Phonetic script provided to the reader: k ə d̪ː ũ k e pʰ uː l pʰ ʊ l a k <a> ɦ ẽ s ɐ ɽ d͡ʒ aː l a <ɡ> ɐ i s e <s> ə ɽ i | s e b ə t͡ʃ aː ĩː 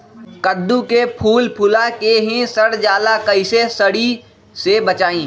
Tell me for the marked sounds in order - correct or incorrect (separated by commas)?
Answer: incorrect, incorrect, correct